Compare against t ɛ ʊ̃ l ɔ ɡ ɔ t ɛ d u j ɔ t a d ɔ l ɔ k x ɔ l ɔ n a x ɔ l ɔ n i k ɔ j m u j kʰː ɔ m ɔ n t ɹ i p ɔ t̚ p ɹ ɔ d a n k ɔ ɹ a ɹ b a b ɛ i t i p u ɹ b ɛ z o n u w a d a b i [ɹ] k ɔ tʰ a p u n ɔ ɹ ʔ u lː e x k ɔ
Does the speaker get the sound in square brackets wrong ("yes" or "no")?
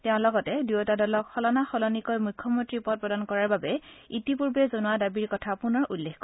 no